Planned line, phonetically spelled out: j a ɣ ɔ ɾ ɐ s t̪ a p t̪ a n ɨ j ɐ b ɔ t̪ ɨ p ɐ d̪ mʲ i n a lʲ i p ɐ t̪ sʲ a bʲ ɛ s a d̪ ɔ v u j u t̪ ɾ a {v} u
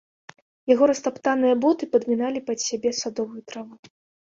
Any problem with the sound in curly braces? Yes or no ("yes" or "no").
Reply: no